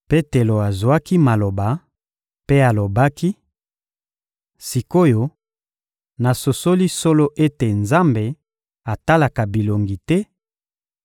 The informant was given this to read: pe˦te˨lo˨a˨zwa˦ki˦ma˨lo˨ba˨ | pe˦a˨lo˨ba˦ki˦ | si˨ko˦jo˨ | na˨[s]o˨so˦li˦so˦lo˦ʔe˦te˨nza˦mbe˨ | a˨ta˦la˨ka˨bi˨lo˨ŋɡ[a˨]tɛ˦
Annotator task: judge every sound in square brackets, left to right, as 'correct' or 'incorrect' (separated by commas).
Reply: correct, incorrect